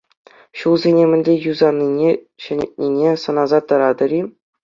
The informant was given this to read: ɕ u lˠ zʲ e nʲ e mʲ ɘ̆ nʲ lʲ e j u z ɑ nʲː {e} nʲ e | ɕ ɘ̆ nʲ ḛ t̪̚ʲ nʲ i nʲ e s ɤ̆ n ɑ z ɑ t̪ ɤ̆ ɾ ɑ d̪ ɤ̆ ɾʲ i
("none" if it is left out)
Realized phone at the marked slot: i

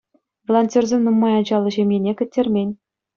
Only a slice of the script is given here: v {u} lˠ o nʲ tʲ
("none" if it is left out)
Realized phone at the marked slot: o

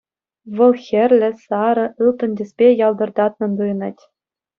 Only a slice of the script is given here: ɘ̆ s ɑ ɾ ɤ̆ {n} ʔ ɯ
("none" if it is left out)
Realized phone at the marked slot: none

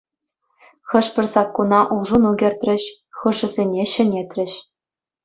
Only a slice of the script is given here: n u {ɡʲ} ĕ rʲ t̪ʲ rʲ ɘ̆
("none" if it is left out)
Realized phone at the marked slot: ɡʲ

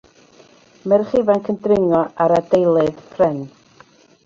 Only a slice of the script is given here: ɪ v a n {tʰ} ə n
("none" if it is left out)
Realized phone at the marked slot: kʰ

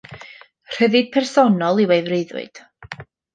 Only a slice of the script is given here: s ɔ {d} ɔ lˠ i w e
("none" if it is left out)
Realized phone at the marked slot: n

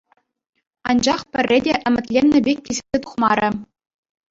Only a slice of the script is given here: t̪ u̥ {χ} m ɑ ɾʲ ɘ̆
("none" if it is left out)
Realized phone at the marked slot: χ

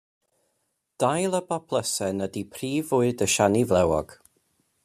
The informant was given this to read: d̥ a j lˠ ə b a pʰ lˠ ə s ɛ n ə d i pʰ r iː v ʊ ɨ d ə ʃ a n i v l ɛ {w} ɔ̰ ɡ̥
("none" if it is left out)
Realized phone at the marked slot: w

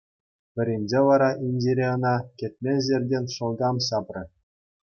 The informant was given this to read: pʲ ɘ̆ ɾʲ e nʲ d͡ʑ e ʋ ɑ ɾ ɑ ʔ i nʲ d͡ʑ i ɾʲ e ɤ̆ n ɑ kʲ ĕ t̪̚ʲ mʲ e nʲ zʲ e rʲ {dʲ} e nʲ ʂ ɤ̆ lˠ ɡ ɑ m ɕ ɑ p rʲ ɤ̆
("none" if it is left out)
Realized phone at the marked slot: dʲ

